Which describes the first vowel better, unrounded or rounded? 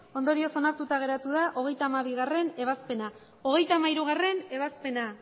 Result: rounded